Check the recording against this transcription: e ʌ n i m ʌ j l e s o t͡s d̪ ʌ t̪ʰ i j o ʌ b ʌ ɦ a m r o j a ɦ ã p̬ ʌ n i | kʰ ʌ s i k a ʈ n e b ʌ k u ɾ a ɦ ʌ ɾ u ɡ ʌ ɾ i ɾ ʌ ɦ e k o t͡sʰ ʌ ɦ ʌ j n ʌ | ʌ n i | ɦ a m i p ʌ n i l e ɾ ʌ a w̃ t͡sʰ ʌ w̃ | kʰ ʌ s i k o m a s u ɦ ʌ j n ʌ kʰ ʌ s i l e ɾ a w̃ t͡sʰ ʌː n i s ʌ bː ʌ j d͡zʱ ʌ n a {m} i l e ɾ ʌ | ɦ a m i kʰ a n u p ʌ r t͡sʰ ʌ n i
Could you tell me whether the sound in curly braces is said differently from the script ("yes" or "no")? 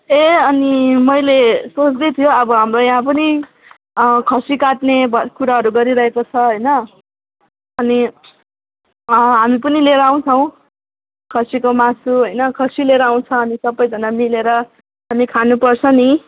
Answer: no